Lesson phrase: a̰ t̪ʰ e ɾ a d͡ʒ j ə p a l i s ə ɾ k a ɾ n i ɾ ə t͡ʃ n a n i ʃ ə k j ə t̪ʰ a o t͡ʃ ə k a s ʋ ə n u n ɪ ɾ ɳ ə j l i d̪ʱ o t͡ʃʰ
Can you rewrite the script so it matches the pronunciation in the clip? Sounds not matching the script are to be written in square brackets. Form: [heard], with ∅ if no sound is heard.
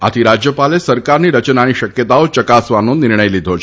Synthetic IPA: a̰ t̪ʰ [i] ɾ a d͡ʒ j ə p a l [e] s ə ɾ k a ɾ n i ɾ ə t͡ʃ n a n i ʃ ə k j ə [t̪] a o t͡ʃ ə k a s ʋ [a] n [o] n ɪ ɾ ɳ ə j l i d̪ʱ o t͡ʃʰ